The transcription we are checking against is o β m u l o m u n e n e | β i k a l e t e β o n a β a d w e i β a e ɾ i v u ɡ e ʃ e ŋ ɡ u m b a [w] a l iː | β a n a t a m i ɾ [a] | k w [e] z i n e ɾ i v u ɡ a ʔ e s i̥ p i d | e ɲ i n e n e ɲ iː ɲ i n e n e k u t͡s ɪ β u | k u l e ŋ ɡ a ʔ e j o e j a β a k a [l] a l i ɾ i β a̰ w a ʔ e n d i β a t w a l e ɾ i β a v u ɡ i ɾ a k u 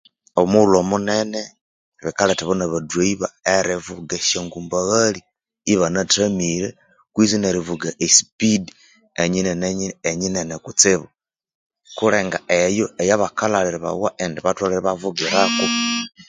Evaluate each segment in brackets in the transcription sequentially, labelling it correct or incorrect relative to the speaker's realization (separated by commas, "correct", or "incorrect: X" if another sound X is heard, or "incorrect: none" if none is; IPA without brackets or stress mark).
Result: incorrect: ɣ, incorrect: e, incorrect: i, correct